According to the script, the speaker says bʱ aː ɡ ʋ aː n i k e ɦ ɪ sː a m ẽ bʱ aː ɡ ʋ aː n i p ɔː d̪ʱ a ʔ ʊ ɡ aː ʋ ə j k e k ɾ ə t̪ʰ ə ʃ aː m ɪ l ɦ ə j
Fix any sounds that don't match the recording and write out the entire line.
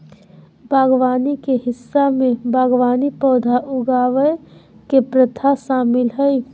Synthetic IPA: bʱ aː ɡ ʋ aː n i k e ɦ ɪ sː a m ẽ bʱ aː ɡ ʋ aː n i p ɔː d̪ʱ a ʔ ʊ ɡ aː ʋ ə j k e p ɾ ə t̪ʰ a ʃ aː m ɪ l ɦ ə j